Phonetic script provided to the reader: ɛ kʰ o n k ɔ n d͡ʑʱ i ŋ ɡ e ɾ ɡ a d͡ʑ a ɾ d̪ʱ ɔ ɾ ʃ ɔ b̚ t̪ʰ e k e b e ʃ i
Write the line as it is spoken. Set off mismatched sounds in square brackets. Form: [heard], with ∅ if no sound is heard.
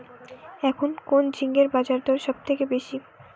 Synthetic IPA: ɛ kʰ o n k [o] n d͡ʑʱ i ŋ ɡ e ɾ [b] a d͡ʑ a ɾ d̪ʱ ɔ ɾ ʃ ɔ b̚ t̪ʰ e k e b e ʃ i